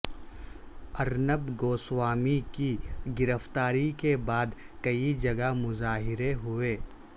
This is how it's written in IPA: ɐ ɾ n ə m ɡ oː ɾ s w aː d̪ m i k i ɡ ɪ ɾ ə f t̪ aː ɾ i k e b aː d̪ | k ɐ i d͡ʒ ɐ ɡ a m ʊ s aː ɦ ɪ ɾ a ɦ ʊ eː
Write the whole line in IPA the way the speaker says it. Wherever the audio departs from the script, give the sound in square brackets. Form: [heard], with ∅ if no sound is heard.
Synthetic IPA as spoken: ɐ ɾ n ə [b] ɡ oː [∅] s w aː [∅] m i k i ɡ ɪ ɾ ə f t̪ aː ɾ i k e b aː d̪ | k ɐ i d͡ʒ ɐ ɡ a m ʊ [z] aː ɦ ɪ ɾ [e] ɦ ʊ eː